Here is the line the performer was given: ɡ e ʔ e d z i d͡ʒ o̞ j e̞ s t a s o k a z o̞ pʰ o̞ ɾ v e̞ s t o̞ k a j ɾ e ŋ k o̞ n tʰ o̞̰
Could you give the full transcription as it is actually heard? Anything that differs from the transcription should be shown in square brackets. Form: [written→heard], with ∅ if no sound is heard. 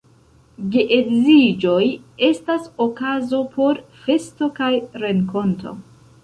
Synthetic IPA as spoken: ɡ e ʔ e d z i d͡ʒ o̞ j e̞ s t a s o k a z o̞ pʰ o̞ ɾ [v→f] e̞ s t o̞ k a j ɾ e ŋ k o̞ n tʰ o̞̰